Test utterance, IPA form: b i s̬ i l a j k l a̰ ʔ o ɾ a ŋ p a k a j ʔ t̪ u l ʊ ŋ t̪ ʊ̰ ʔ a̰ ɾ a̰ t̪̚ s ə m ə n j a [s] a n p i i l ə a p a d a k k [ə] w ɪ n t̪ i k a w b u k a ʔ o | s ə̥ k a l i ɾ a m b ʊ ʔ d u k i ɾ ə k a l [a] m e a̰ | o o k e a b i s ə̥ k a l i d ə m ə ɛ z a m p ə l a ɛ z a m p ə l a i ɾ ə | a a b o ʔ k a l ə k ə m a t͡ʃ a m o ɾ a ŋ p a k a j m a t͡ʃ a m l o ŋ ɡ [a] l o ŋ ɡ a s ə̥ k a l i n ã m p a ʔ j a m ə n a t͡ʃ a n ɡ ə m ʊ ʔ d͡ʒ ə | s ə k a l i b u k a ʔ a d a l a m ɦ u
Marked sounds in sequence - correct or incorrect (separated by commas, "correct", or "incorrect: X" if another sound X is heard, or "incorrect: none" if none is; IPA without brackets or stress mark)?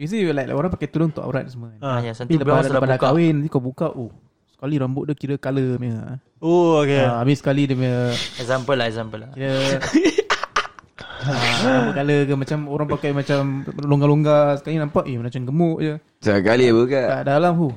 correct, incorrect: a, incorrect: ə, correct